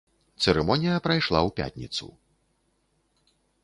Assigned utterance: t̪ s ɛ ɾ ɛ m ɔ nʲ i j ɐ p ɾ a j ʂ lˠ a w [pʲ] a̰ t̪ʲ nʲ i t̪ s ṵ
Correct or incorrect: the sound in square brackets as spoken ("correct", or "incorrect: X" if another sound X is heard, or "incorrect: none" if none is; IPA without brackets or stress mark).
correct